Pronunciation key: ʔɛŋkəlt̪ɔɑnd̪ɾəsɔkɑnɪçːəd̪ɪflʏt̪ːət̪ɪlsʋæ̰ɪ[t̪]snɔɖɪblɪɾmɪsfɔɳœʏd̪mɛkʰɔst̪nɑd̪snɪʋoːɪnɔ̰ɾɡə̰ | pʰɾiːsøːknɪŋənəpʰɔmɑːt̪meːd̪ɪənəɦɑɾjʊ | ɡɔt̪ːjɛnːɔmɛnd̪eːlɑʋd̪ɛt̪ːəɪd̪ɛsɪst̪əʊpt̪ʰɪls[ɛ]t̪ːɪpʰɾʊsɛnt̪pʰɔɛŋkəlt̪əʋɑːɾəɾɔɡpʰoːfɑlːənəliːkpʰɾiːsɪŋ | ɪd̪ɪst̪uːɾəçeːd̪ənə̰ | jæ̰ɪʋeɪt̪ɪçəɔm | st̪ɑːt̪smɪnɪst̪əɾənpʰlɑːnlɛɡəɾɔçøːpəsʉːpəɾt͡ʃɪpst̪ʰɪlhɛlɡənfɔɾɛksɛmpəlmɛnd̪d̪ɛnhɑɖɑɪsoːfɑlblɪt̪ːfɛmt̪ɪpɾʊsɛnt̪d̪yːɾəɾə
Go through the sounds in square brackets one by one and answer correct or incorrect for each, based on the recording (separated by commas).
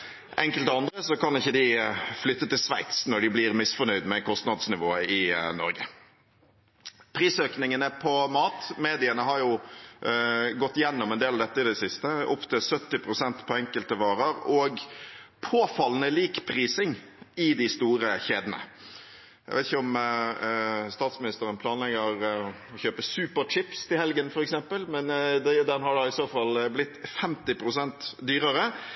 correct, incorrect